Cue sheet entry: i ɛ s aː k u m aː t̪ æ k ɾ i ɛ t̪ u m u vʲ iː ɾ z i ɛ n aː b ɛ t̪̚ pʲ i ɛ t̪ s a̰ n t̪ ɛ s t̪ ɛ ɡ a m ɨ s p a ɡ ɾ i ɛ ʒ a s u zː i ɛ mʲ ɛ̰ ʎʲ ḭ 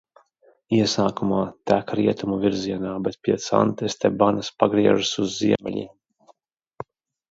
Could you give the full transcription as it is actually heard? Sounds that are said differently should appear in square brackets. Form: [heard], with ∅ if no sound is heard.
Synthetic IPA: i ɛ s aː k u m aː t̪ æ k ɾ i ɛ t̪ u m u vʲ [i] ɾ z i ɛ n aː b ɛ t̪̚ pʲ i ɛ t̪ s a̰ n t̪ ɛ s t̪ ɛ [b] a [n] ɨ s p a ɡ ɾ i ɛ ʒ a s u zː i ɛ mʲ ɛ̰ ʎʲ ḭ